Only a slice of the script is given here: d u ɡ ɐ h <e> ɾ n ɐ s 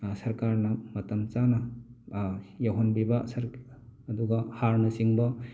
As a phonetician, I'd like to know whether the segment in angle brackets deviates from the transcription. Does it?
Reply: yes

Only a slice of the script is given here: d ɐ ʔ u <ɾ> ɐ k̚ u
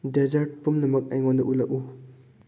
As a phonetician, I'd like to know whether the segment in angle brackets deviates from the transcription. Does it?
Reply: yes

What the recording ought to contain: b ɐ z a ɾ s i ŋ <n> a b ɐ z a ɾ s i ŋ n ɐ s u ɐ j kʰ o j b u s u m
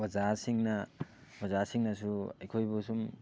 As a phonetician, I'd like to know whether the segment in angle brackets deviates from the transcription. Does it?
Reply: no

